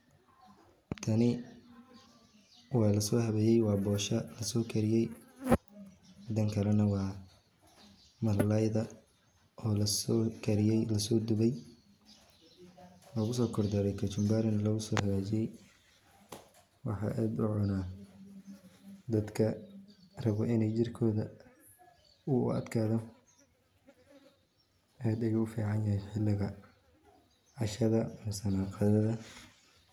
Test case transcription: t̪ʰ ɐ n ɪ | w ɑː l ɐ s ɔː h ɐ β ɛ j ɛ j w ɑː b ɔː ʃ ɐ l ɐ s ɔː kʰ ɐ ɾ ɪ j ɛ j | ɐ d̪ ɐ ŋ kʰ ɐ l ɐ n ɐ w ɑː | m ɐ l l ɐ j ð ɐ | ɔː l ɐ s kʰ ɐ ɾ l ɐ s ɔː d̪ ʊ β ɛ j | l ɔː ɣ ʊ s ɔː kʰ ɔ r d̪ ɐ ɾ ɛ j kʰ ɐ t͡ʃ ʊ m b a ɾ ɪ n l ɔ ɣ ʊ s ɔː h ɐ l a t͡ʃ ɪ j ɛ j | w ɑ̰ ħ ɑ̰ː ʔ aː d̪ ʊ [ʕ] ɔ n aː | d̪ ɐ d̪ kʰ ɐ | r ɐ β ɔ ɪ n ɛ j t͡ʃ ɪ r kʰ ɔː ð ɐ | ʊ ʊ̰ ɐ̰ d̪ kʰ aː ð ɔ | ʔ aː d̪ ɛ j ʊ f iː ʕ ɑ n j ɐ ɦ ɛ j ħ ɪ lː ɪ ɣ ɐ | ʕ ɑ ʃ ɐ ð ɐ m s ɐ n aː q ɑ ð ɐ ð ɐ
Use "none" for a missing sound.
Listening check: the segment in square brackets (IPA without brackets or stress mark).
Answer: ʕ